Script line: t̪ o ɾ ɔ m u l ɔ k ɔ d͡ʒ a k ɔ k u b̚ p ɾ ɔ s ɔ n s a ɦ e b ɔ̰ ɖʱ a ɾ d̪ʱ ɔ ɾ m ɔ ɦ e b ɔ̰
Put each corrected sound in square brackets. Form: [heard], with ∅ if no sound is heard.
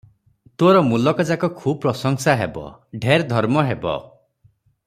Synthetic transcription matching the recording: t̪ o ɾ ɔ m u l ɔ k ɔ d͡ʒ a k ɔ [kʰ] u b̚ p ɾ ɔ s ɔ [ŋ] s a ɦ e b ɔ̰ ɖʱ [e] ɾ d̪ʱ ɔ ɾ m ɔ ɦ e b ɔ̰